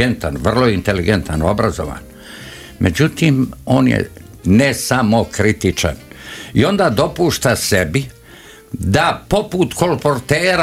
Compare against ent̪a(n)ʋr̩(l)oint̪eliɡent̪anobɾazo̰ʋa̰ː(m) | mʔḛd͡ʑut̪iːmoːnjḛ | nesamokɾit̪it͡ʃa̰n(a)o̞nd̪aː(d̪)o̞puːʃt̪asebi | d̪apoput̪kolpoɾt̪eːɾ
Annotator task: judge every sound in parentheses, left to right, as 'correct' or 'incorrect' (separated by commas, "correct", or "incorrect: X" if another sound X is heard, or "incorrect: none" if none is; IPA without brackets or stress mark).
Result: correct, correct, incorrect: n, incorrect: i, correct